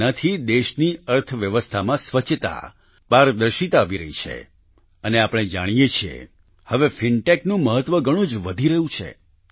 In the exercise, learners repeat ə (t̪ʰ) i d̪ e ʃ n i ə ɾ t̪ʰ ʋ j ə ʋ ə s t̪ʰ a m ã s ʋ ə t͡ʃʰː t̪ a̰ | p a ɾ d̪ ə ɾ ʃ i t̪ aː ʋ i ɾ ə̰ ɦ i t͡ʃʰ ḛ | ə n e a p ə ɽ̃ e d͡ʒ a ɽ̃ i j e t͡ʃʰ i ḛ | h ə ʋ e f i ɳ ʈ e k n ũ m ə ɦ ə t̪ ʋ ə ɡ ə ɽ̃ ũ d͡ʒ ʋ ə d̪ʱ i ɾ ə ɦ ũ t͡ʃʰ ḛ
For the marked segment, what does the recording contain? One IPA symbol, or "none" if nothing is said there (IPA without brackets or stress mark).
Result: t̪ʰ